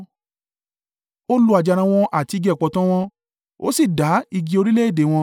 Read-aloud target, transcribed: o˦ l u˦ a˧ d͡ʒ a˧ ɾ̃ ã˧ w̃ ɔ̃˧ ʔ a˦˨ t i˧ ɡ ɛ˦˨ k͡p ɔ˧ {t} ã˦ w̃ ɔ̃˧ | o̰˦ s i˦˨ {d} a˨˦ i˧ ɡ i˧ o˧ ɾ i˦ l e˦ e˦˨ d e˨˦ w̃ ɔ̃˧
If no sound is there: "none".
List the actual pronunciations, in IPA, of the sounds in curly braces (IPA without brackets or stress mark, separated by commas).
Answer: t, d